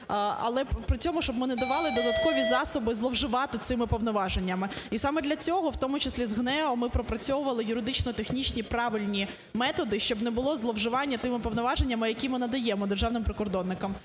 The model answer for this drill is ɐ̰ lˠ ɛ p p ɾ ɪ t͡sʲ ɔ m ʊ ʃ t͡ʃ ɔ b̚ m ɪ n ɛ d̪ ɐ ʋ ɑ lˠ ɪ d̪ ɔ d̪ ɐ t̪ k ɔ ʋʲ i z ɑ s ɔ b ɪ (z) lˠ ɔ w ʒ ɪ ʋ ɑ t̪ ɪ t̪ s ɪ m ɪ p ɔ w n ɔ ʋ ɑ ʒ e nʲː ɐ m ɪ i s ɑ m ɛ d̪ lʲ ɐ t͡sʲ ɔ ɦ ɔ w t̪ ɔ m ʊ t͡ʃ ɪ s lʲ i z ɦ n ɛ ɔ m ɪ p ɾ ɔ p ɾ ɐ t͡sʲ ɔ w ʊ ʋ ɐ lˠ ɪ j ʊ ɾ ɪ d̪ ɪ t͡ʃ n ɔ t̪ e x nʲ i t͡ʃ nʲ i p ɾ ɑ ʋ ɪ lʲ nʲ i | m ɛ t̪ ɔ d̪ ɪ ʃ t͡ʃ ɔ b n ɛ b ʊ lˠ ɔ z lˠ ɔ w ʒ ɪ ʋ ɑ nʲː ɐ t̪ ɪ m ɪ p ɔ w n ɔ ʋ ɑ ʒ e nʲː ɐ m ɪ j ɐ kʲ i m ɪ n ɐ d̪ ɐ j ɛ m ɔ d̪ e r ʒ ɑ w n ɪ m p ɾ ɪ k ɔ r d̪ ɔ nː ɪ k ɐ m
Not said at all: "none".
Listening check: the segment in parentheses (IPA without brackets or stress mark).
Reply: z